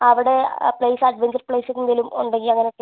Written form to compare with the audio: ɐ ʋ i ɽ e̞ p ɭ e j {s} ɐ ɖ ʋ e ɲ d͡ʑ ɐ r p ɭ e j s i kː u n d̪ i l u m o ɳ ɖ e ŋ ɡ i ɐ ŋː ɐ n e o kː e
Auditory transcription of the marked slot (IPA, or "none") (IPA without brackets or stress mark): s